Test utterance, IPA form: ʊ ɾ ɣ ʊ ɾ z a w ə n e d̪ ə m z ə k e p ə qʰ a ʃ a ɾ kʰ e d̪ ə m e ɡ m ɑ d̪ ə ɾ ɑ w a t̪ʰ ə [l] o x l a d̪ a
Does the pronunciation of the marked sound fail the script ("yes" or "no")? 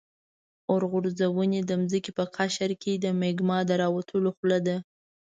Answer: no